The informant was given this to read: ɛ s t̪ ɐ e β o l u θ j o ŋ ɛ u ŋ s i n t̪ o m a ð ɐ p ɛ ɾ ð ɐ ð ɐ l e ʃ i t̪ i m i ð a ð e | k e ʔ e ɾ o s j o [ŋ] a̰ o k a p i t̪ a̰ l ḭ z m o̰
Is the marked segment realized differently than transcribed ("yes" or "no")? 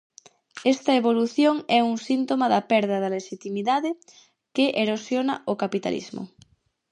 yes